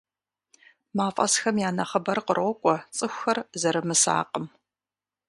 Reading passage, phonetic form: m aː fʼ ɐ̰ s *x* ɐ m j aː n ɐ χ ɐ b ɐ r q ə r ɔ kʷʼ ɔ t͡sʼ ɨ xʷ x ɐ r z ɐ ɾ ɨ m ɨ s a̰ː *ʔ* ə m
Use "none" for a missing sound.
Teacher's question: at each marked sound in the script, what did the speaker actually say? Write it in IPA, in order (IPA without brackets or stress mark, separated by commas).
x, q